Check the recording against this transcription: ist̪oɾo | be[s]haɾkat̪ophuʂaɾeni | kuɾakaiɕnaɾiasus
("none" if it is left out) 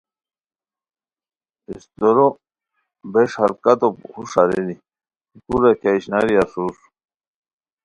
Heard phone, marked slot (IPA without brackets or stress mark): ʂ